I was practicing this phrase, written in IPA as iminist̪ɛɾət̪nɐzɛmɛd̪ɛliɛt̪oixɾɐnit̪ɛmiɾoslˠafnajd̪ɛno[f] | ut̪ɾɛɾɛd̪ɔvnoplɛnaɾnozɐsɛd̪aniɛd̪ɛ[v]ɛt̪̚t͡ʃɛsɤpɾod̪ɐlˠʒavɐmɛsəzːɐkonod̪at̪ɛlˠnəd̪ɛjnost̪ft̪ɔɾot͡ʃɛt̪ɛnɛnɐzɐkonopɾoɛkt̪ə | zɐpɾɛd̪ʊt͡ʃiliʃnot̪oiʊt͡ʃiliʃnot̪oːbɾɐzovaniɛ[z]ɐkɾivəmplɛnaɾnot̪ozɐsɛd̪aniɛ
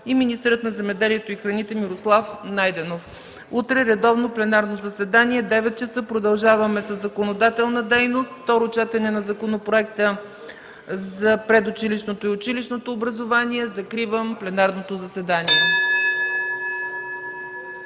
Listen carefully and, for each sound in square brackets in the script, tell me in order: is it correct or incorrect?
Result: correct, correct, correct

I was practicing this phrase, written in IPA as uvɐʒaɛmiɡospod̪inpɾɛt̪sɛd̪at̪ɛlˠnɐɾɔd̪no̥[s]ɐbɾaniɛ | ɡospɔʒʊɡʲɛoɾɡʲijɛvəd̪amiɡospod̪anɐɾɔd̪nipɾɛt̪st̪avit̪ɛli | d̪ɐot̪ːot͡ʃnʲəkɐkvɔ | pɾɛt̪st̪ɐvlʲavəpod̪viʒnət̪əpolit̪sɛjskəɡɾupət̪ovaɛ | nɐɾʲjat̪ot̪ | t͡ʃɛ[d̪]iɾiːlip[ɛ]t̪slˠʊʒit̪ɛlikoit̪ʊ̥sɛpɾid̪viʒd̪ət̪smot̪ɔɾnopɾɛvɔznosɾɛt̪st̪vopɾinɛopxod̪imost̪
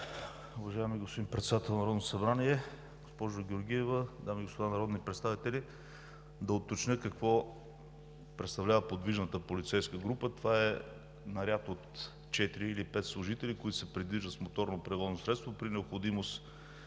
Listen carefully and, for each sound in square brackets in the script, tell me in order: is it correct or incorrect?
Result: correct, incorrect: t̪, correct

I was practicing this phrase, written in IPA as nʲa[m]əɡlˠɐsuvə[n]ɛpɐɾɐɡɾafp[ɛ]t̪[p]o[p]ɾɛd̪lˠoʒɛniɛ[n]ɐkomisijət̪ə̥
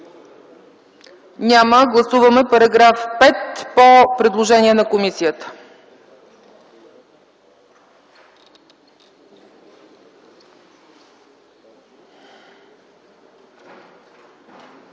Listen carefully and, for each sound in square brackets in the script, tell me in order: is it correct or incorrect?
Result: correct, incorrect: m, correct, correct, correct, correct

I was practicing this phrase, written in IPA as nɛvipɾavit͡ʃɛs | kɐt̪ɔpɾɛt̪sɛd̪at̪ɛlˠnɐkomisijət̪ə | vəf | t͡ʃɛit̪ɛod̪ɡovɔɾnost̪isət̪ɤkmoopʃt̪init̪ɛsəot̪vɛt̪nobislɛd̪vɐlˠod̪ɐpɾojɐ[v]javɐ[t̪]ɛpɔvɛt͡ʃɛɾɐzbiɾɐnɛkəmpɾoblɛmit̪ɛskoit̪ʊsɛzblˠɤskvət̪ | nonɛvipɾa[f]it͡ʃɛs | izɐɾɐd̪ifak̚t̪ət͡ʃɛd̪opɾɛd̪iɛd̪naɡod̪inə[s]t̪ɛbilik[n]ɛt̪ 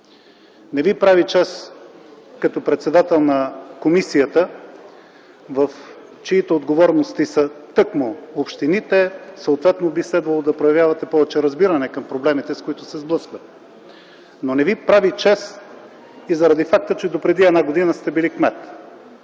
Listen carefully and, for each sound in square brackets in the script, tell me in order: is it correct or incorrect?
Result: correct, correct, incorrect: v, correct, incorrect: m

